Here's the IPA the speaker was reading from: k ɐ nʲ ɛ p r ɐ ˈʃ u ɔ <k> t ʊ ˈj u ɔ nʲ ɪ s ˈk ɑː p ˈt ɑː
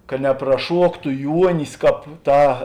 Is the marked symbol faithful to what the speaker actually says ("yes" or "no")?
yes